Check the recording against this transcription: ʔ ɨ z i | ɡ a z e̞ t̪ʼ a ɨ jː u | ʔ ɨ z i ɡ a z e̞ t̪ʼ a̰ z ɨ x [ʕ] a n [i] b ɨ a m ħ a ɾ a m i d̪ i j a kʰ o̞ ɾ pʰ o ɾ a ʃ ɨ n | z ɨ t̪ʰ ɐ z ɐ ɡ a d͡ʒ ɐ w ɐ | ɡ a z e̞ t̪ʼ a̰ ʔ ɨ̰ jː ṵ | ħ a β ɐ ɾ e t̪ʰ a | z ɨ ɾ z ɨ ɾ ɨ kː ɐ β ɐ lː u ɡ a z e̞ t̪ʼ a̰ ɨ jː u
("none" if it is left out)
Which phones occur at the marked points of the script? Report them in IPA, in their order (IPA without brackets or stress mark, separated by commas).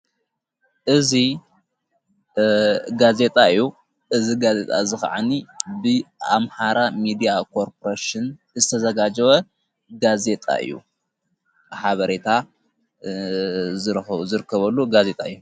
ʕ, i